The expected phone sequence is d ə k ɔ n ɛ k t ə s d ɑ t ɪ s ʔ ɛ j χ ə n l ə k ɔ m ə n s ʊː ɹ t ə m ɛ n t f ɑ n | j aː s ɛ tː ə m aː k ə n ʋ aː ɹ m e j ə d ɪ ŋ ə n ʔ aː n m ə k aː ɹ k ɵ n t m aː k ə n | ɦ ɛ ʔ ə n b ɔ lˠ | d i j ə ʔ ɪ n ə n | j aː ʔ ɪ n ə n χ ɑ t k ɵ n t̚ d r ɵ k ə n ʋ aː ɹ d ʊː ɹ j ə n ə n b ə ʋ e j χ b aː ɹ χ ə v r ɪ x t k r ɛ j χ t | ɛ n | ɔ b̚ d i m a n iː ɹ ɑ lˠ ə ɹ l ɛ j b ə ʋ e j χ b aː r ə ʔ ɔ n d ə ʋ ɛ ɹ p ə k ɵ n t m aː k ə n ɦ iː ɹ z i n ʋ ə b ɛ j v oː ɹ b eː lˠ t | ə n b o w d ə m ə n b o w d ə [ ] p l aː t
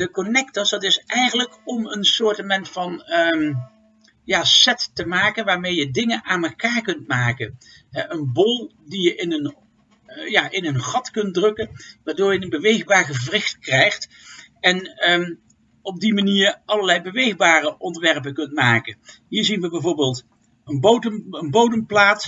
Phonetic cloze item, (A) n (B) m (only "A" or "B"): B